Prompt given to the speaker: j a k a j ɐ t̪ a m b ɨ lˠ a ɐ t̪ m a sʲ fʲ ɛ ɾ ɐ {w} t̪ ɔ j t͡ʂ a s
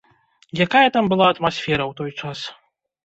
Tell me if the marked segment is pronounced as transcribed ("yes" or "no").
yes